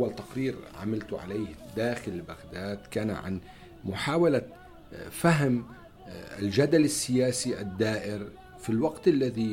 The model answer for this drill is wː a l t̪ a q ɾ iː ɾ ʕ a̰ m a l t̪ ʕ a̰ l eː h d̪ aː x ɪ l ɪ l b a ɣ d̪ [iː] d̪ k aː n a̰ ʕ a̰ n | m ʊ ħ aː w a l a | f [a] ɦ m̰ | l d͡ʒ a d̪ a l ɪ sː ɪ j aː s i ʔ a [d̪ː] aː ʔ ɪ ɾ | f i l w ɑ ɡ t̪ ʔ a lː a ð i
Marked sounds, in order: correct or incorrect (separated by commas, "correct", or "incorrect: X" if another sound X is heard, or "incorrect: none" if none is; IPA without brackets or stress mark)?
incorrect: aː, correct, correct